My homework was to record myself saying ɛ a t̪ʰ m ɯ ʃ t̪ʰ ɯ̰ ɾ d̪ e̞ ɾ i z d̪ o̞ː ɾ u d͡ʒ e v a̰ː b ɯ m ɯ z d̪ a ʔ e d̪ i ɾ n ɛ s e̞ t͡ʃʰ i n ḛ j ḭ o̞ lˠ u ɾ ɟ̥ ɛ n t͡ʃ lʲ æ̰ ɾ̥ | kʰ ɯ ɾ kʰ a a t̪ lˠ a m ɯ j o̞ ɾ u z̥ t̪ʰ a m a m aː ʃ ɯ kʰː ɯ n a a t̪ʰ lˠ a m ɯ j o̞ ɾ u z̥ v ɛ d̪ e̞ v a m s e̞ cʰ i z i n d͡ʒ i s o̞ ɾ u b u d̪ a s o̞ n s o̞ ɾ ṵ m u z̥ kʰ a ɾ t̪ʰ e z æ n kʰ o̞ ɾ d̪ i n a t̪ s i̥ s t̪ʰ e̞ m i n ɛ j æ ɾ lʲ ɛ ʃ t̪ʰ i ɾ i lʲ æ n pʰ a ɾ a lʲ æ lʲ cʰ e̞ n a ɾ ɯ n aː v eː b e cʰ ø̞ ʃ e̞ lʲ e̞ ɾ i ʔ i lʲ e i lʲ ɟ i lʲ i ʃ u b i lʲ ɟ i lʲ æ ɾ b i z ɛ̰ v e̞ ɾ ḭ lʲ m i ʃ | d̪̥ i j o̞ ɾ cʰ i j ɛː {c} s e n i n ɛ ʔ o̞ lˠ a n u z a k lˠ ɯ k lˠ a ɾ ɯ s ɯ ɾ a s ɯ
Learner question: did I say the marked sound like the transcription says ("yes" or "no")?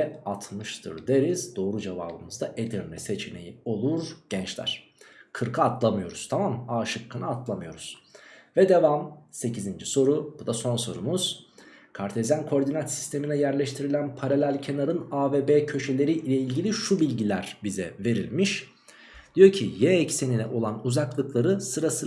yes